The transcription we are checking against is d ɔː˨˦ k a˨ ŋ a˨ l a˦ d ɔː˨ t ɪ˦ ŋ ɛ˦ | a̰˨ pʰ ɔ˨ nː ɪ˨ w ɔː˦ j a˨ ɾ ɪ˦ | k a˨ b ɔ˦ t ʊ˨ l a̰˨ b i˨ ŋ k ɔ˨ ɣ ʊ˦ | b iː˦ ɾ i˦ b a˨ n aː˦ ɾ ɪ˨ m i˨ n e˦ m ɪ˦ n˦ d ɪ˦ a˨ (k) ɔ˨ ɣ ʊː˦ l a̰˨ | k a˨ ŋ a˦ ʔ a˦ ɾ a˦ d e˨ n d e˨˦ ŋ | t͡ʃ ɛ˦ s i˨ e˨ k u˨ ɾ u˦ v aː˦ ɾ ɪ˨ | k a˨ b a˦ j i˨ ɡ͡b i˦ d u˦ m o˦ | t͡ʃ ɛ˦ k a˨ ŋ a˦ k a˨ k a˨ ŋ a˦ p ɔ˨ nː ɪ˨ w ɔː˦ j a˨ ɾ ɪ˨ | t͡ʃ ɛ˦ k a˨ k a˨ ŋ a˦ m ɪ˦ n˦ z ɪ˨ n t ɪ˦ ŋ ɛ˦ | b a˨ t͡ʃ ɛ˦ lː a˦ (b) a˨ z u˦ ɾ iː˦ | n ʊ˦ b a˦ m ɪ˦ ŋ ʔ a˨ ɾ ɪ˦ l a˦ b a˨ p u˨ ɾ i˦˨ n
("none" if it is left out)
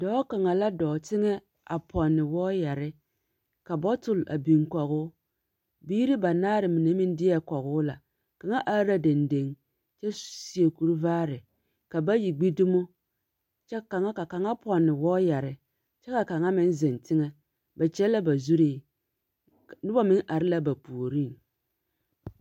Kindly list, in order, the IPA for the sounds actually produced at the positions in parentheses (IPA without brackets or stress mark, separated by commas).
k, b